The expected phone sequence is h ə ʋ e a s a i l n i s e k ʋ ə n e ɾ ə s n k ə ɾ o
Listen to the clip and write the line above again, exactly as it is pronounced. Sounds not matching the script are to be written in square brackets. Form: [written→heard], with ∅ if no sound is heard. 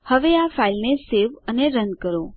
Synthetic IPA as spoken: h ə ʋ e a [s→f] a i l n [i→e] s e [k→∅] ʋ ə n e ɾ ə [s→∅] n k ə ɾ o